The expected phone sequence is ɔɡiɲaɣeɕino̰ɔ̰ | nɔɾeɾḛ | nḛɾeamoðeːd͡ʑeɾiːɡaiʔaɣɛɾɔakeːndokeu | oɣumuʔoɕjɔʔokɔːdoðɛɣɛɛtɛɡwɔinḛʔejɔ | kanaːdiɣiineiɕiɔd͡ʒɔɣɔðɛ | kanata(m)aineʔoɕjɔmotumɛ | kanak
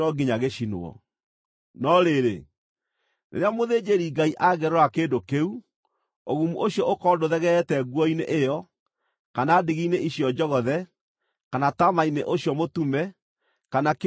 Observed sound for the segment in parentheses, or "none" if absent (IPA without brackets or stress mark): m